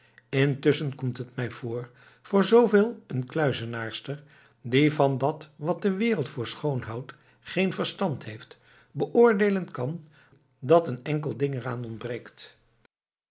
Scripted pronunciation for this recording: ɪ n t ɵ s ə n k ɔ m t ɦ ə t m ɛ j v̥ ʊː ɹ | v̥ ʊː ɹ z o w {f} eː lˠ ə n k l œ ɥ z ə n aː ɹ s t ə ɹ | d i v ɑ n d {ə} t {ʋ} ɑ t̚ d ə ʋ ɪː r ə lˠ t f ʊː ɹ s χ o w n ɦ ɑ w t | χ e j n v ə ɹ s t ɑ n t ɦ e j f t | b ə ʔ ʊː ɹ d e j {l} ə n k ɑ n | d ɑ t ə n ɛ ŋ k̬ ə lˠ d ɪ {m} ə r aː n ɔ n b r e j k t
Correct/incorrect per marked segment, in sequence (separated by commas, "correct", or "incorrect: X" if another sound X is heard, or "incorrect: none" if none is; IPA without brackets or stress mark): incorrect: v, incorrect: ɑ, correct, correct, incorrect: ŋ